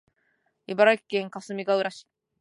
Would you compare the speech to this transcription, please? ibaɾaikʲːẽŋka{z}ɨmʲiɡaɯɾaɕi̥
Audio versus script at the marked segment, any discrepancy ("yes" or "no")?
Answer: yes